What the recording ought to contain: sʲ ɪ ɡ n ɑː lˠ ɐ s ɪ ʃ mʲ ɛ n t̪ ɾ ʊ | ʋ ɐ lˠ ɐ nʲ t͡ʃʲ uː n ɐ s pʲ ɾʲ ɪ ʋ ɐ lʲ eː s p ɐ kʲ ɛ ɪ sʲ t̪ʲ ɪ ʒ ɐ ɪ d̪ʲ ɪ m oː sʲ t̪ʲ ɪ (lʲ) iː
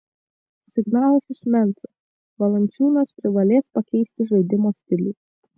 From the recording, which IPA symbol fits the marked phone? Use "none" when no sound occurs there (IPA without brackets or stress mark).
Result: lʲ